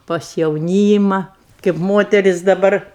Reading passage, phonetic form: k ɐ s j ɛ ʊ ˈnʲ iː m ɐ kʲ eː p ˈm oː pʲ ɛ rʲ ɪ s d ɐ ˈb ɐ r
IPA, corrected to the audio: p ɐ s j ɛ ʊ ˈnʲ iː m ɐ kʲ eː p ˈm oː tʲ ɛ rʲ ɪ s d ɐ ˈb ɐ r